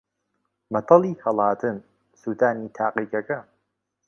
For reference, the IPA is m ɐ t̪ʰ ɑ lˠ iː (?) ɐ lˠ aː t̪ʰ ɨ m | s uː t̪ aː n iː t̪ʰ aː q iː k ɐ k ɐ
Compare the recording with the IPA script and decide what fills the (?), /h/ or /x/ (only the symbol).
h